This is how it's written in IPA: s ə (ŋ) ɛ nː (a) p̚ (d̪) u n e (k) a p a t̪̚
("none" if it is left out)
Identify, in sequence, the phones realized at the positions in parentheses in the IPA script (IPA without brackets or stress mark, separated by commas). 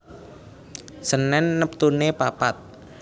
n, ə, t̪, p